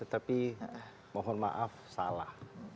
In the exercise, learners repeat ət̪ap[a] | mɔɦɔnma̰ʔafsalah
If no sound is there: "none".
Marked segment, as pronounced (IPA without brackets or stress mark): i